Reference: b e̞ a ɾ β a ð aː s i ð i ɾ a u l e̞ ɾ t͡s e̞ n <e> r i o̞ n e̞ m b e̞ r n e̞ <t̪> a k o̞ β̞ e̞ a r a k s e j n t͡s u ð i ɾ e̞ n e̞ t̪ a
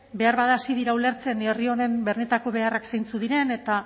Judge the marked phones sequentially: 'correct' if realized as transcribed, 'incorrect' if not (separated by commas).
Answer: correct, correct